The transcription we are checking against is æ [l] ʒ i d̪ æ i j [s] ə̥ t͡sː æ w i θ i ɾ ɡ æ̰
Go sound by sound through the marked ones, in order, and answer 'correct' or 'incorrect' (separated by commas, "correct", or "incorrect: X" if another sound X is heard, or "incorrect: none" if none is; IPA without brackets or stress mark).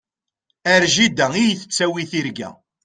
incorrect: ɾ, incorrect: θ